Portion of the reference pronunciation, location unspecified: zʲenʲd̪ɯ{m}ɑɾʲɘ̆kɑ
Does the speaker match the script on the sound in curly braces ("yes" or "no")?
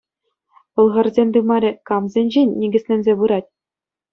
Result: yes